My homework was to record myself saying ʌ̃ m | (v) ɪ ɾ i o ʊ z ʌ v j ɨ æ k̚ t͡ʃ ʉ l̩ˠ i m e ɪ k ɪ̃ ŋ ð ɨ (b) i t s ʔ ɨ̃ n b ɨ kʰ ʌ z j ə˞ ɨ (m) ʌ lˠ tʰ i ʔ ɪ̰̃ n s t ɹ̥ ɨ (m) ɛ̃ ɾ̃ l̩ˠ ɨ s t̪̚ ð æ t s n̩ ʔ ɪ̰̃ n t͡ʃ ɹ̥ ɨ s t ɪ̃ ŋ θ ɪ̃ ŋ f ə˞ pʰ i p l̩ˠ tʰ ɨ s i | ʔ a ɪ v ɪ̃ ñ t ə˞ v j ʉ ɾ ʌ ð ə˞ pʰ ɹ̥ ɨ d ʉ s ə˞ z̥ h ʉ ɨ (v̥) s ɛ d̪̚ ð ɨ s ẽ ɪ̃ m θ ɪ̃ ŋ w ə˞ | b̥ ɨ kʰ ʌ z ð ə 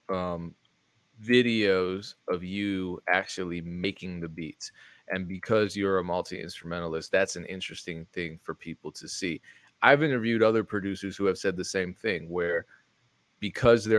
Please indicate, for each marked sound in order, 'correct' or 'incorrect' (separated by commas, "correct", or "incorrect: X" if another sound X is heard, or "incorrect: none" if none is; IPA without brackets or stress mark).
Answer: correct, correct, correct, correct, correct